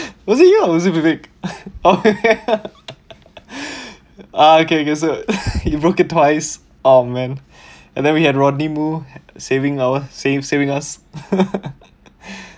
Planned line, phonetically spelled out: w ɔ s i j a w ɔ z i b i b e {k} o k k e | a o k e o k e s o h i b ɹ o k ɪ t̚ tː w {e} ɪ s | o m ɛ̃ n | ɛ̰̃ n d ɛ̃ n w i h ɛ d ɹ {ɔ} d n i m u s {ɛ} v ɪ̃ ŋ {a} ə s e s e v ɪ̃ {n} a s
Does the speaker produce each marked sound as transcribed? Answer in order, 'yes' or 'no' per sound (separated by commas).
yes, no, yes, no, yes, no